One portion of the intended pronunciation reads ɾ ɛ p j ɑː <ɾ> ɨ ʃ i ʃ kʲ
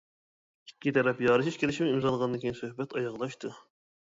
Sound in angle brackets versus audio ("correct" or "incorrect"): correct